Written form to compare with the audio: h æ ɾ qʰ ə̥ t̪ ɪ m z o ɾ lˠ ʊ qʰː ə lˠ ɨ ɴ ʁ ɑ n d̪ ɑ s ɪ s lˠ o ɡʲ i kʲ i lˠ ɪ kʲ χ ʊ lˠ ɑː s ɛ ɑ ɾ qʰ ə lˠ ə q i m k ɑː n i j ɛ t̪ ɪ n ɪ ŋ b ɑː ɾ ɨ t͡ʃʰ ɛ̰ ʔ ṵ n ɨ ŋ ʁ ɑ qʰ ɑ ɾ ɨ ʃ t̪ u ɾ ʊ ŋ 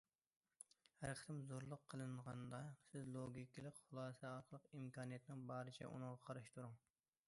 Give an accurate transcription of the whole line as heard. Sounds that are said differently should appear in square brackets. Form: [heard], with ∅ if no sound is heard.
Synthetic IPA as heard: h æ ɾ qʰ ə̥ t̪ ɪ m z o ɾ lˠ ʊ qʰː ə lˠ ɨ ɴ ʁ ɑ n d̪ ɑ s ɪ [z] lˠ o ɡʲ i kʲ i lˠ ɪ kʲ χ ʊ lˠ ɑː s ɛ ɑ ɾ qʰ ə lˠ ə q i m k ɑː n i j ɛ t̪ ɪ n ɪ ŋ b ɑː ɾ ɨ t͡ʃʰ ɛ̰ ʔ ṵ n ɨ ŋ ʁ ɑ qʰ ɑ ɾ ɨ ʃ t̪ u ɾ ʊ ŋ